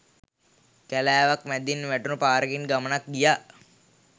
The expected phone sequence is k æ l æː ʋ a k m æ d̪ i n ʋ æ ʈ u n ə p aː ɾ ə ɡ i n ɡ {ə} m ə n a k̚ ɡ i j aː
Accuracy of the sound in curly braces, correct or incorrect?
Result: incorrect